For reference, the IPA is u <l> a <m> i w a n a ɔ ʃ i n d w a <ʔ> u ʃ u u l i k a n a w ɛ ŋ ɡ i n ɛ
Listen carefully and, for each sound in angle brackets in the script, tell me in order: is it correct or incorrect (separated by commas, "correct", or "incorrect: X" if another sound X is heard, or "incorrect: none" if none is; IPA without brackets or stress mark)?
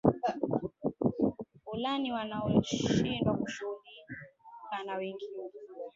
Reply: correct, incorrect: n, incorrect: k